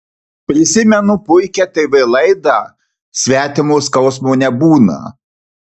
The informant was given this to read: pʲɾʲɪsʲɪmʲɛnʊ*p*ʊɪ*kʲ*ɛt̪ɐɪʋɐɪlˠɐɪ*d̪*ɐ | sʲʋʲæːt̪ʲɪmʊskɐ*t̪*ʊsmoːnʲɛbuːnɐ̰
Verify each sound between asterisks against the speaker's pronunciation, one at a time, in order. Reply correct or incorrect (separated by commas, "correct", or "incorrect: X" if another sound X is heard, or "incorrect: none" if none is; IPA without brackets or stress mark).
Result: correct, correct, correct, incorrect: none